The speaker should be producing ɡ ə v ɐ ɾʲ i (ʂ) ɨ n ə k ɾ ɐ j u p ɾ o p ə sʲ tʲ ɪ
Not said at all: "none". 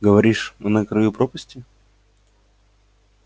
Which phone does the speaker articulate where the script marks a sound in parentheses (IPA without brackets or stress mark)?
ʂ